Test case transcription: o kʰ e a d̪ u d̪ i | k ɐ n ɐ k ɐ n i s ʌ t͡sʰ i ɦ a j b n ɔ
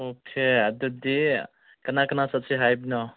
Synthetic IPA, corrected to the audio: o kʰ e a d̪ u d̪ i | k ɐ n a k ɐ n a s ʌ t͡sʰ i ɦ a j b n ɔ